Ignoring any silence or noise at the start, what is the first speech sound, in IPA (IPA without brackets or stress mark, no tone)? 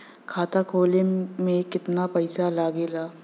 kʰ